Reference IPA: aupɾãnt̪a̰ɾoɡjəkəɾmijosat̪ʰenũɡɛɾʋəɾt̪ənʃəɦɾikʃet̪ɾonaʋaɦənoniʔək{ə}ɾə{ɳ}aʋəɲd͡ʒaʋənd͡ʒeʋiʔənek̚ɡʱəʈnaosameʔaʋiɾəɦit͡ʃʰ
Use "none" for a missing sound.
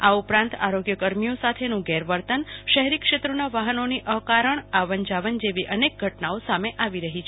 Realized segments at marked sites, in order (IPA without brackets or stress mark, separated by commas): a, ɳ